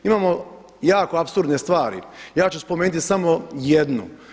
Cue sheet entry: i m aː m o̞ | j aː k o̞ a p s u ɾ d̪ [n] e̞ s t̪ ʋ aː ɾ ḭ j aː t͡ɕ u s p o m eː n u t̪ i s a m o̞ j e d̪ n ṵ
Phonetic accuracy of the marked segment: correct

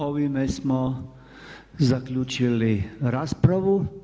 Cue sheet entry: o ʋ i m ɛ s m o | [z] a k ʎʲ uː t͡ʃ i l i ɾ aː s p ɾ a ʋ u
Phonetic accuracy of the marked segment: correct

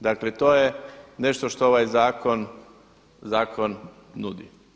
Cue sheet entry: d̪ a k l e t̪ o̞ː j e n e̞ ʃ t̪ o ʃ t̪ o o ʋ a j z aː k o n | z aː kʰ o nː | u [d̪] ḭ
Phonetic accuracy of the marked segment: correct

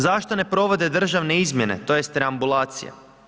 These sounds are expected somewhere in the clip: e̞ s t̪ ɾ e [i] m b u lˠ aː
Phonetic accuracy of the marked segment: incorrect: a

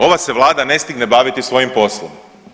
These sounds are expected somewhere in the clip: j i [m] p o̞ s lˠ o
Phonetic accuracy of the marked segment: correct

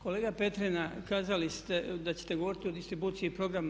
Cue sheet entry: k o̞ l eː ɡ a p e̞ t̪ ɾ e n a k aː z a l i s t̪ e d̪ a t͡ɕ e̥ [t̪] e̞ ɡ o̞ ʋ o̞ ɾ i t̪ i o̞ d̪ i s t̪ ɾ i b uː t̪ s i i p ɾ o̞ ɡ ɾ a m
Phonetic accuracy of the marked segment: correct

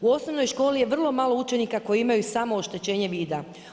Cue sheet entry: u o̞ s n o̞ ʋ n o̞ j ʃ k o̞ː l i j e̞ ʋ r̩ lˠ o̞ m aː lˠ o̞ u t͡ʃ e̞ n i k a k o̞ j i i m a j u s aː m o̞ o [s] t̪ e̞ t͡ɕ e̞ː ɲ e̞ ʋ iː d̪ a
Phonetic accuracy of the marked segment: incorrect: ʃ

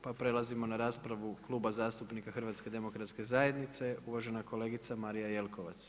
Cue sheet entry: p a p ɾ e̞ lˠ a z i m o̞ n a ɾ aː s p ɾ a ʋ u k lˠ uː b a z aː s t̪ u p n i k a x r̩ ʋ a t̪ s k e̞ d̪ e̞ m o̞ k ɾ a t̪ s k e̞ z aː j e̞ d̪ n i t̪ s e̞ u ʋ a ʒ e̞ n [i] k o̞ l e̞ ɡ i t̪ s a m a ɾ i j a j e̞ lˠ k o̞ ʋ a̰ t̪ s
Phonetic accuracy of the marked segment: incorrect: a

